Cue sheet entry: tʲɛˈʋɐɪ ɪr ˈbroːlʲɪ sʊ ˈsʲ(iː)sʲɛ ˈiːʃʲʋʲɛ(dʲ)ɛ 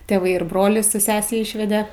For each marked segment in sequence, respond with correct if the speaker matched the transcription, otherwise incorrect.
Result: incorrect: æː, correct

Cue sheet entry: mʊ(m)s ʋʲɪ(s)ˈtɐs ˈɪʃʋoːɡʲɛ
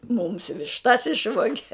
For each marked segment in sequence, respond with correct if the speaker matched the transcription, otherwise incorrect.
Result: correct, incorrect: ʃ

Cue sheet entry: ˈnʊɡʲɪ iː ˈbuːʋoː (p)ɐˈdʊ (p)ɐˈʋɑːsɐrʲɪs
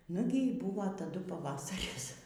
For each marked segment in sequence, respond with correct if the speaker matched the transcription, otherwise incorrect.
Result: incorrect: t, correct

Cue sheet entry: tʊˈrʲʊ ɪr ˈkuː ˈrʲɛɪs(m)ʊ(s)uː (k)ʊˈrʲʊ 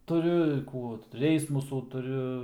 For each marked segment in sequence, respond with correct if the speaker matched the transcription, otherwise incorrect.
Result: correct, correct, incorrect: t

